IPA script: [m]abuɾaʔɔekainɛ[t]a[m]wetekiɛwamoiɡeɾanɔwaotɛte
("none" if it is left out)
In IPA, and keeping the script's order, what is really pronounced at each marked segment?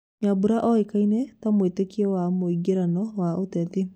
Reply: ɲ, t, m

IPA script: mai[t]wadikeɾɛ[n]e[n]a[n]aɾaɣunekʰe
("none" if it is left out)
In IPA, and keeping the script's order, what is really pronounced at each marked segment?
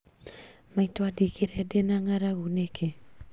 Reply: t, d, n, ŋ

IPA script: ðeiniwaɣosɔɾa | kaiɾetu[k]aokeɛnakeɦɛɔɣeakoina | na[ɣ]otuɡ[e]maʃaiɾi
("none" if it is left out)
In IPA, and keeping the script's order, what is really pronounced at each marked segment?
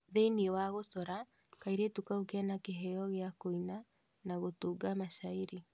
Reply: k, ɣ, a

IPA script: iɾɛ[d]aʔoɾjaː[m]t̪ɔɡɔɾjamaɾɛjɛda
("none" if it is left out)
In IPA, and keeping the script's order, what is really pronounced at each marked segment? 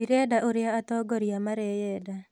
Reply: d, none

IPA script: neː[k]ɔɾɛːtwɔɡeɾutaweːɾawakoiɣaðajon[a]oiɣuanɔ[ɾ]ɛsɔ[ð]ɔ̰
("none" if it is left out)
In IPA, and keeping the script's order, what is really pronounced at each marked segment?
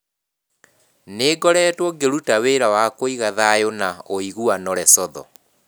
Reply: ɡ, a, ɾ, ð

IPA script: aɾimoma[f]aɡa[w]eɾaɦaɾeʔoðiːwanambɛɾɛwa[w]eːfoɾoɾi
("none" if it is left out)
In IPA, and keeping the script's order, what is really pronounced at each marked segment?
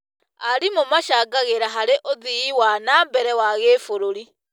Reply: ʃ, ɣ, ɣ

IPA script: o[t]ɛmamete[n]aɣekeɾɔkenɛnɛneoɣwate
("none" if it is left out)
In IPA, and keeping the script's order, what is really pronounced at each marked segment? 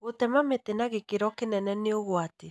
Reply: t, n

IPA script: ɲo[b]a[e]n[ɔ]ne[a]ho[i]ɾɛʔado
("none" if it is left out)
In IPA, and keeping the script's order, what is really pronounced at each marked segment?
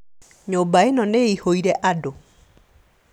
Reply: b, e, ɔ, i, i

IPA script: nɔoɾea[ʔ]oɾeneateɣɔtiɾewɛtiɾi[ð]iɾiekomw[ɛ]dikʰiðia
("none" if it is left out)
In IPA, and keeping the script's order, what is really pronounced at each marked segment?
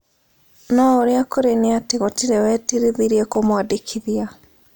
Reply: k, ð, a

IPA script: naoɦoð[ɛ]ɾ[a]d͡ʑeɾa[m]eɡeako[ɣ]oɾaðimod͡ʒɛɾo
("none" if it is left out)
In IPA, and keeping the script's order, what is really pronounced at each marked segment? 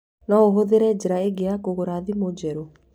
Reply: e, ɛ, none, ɣ

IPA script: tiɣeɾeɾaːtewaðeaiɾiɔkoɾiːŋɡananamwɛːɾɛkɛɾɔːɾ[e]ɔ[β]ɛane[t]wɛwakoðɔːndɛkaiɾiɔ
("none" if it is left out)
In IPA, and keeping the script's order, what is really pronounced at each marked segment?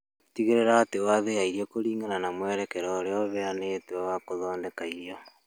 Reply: e, β, t

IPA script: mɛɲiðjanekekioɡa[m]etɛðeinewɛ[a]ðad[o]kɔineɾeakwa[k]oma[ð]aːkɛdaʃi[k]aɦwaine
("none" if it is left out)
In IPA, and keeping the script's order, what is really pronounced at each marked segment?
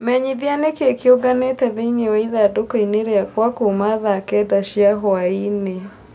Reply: n, i, o, k, ð, none

